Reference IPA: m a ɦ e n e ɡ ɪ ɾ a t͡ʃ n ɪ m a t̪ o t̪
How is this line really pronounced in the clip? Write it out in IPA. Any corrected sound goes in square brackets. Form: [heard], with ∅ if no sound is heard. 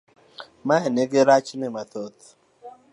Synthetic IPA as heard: m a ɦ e n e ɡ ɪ ɾ a t͡ʃ n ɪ m a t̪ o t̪